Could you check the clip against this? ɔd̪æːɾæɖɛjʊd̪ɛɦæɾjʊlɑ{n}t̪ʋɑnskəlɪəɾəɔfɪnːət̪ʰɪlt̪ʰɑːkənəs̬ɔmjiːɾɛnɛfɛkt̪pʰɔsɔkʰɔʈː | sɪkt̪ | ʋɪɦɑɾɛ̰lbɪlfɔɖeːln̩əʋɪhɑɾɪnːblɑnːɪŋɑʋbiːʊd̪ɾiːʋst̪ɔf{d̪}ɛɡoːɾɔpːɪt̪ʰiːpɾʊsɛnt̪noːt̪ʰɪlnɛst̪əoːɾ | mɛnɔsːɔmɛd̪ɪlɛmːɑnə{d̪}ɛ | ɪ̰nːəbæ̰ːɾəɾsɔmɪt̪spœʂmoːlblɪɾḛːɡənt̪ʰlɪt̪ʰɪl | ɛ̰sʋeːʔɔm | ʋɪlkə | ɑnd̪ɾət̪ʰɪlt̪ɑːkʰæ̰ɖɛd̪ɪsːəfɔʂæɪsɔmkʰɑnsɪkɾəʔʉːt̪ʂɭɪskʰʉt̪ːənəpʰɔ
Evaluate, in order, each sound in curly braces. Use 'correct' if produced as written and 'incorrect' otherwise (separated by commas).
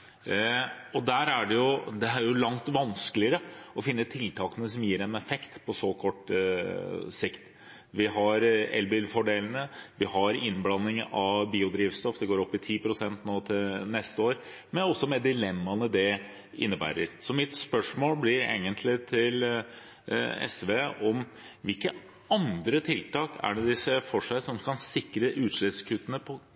incorrect, correct, correct